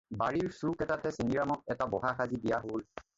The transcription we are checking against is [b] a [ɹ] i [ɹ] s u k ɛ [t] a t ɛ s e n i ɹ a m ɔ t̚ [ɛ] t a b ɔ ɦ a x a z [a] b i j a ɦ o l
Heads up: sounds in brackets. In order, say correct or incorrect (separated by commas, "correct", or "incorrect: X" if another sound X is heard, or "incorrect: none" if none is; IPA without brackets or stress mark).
correct, correct, correct, correct, correct, incorrect: i